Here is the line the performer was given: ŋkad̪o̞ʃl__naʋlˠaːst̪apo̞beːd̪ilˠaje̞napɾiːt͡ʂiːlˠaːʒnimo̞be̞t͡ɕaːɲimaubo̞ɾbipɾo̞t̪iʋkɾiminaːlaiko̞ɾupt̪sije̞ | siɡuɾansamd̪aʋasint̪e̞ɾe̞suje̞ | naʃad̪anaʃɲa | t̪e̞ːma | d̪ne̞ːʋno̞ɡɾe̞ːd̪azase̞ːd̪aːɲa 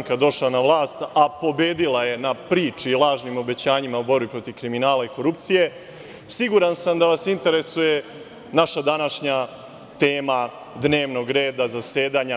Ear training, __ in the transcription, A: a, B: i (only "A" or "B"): A